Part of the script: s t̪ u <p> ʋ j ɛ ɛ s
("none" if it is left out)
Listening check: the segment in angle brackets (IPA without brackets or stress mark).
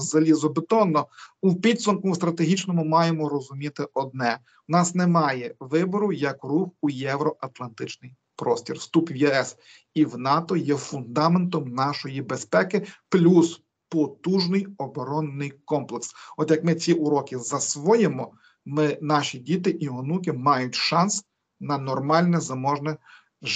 p